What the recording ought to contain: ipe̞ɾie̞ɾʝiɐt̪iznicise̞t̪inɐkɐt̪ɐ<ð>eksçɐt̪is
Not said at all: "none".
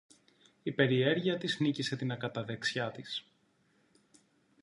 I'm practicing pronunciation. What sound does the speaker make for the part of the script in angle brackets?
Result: ð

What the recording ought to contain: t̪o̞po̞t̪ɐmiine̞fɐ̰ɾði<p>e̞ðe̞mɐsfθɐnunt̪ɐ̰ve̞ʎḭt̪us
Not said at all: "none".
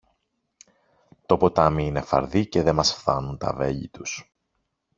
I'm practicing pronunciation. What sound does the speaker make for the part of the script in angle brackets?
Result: c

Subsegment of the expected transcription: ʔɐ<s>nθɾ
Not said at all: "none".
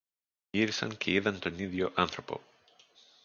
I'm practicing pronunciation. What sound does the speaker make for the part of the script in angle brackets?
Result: none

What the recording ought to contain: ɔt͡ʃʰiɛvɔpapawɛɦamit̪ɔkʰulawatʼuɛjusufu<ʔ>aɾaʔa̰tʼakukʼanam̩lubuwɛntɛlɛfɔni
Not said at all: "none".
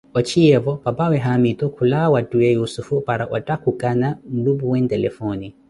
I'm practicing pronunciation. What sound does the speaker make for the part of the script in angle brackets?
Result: p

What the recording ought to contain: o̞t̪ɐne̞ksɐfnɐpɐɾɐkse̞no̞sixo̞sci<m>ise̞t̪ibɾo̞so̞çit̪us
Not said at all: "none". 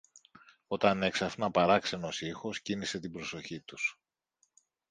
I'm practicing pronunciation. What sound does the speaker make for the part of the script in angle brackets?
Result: n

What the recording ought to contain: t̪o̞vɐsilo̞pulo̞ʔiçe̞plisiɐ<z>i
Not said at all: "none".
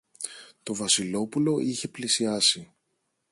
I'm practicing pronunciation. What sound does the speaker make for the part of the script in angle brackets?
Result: s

